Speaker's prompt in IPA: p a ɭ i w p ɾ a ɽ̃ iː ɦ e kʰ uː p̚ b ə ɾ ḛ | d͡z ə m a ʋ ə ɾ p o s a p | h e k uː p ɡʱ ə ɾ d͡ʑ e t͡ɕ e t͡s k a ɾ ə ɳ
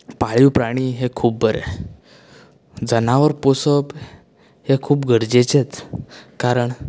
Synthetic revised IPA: p a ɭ i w p ɾ a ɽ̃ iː ɦ e kʰ uː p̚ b ə ɾ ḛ | d͡z ə n a ʋ ə ɾ p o s ə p | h e kʰ uː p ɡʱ ə ɾ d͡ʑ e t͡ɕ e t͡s k a ɾ ə ɳ

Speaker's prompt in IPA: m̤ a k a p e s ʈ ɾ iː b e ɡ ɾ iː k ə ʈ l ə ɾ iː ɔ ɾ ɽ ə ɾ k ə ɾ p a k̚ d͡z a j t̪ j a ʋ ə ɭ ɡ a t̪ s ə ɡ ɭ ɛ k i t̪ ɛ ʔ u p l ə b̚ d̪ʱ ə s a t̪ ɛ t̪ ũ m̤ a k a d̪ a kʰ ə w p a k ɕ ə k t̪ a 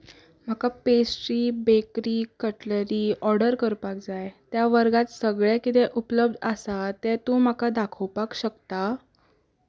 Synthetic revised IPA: m̤ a k a p e s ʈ ɾ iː b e k ɾ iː k ə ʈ l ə ɾ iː ɔ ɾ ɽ ə ɾ k ə ɾ p a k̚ d͡z a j t̪ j a ʋ ə ɾ ɡ a t̪ s ə ɡ ɭ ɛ k i t̪ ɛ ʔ u p l ə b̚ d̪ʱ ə s a t̪ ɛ t̪ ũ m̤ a k a d̪ a kʰ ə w p a k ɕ ə k t̪ a

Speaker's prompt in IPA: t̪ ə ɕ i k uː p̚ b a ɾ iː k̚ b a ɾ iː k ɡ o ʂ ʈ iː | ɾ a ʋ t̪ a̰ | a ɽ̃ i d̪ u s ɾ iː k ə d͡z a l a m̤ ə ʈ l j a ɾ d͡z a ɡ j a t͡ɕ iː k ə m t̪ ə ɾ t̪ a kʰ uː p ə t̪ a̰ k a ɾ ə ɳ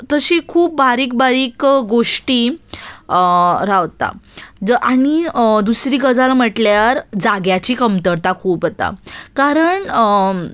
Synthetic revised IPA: t̪ ə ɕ i kʰ uː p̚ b a ɾ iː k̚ b a ɾ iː k ɡ o ʂ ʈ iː | ɾ a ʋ t̪ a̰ | a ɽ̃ i d̪ u s ɾ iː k ə d͡z a l a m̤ ə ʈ l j a ɾ d͡z a ɡ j a t͡ɕ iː k ə m t̪ ə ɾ t̪ a kʰ uː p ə t̪ a̰ k a ɾ ə ɳ

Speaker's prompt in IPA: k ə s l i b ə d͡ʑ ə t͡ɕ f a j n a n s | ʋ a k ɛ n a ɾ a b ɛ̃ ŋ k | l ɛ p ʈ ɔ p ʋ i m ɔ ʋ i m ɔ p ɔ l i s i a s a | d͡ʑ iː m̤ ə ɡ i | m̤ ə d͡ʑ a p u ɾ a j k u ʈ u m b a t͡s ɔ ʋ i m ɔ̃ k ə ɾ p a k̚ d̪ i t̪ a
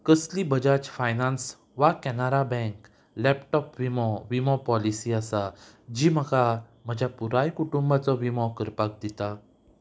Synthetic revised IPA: k ə s l i b ə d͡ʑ a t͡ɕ f a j n a n s | ʋ a k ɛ n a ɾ a b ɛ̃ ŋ k | l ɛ p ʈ ɔ p ʋ i m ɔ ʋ i m ɔ p ɔ l i s i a s a | d͡ʑ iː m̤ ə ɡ a | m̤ ə d͡ʑ a p u ɾ a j k u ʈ u m b a t͡s ɔ ʋ i m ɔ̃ k ə ɾ p a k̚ d̪ i t̪ a

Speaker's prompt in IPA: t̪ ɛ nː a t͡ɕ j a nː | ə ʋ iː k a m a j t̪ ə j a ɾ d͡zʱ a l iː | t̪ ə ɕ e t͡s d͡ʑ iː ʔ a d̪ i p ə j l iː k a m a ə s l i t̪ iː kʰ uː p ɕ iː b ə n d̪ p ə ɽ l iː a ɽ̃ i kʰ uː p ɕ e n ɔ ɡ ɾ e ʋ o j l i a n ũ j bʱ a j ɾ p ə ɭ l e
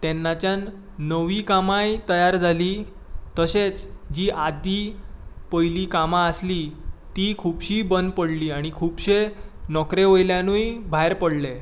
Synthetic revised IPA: t̪ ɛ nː a t͡ɕ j a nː | ə ʋ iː k a m a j t̪ ə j a ɾ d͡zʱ a l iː | t̪ ə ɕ e t͡s d͡ʑ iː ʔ a d̪ i p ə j l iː k a m a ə s l i t̪ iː kʰ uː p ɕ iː b ə n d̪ p ə ɽ l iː a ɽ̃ i kʰ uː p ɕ e n ɔ k ɾ e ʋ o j l j a n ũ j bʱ a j ɾ p ə ɽ l e

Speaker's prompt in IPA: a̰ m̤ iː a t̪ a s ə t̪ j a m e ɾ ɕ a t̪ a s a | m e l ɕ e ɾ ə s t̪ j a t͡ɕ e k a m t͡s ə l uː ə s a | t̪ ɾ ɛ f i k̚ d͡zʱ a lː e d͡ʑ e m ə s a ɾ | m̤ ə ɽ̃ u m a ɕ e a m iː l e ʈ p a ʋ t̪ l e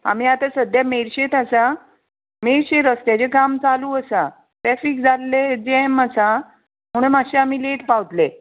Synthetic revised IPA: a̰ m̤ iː a t̪ a s ə d̪ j a m e ɾ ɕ e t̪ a s a | m e ɾ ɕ e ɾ ə s t̪ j a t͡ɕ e k a m t͡s a l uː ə s a | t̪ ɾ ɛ f i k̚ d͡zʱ a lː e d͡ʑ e m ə s a | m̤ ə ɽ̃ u m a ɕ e a m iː l e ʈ p a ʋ t̪ l e

